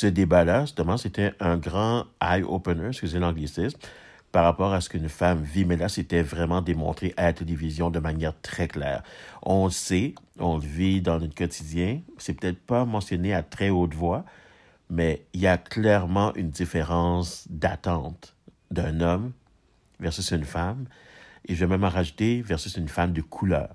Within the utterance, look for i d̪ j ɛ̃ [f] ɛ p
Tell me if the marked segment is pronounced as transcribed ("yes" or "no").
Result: no